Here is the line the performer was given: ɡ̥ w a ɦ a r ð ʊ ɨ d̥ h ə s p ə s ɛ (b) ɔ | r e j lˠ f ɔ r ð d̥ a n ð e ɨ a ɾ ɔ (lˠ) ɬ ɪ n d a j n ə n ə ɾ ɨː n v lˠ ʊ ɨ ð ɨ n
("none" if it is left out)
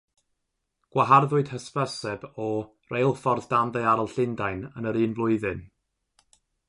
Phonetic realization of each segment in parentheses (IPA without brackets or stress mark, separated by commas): b, lˠ